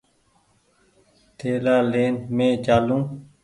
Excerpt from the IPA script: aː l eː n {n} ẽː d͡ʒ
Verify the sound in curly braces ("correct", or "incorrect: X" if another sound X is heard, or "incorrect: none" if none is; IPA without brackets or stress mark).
incorrect: m